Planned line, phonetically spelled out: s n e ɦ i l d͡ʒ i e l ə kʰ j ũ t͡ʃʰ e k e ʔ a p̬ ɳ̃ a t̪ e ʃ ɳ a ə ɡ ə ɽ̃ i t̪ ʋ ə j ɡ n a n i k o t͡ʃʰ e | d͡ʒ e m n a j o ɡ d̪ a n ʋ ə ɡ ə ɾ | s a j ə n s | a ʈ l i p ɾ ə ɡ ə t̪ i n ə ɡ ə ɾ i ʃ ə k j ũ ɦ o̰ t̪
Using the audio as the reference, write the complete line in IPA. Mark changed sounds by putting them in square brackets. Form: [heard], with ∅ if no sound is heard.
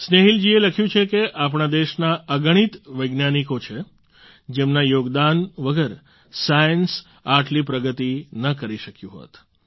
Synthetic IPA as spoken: s n e ɦ i l d͡ʒ i e l ə kʰ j ũ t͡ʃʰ e k e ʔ a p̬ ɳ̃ a [d̪] e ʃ [n] a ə ɡ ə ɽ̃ i t̪ ʋ ə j ɡ n a n i k o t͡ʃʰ e | d͡ʒ e m n a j o ɡ d̪ a n ʋ ə ɡ ə ɾ | s a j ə n s | a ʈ l i p ɾ ə ɡ ə t̪ i n ə [k] ə ɾ i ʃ ə k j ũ ɦ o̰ t̪